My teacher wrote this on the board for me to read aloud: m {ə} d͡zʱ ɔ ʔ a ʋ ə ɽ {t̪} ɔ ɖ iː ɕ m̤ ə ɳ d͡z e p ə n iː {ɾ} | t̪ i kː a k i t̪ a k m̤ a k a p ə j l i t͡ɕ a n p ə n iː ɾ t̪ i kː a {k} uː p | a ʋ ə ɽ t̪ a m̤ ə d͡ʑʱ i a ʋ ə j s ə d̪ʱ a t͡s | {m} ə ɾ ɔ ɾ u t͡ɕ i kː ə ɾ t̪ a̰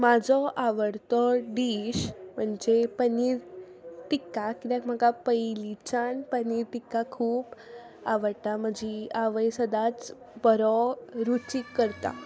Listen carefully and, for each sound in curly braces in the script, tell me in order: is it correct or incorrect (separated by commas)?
incorrect, correct, correct, incorrect, incorrect